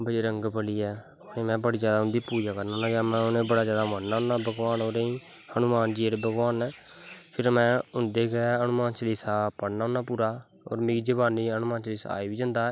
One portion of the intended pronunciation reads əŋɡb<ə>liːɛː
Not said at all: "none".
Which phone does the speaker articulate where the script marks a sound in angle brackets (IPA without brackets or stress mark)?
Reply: ə